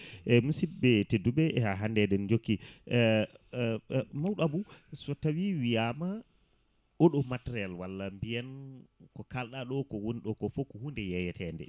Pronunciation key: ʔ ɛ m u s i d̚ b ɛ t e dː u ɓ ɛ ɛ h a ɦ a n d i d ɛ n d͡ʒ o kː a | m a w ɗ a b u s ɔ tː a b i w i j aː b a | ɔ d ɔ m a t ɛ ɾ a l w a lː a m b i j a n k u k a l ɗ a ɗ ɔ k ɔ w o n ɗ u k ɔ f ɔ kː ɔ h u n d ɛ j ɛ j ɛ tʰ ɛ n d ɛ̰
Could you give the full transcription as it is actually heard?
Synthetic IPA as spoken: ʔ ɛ m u s i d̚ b ɛ t e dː u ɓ ɛ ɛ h a ɦ a n d ɛ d ɛ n d͡ʒ o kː i | m a w ɗ a b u s ɔ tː a w i w i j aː m a | ɔ ɗ ɔ m a t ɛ ɾ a l w a lː a m b i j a n k ɔ k a l ɗ a ɗ ɔ k ɔ w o n ɗ ɔ k ɔ f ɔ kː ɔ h u n d ɛ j ɛ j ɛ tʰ ɛ n d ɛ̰